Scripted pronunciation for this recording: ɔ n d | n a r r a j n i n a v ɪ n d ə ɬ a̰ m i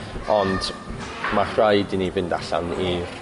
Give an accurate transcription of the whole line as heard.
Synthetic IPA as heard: ɔ n d | m a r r a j d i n i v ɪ n d a ɬ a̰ n i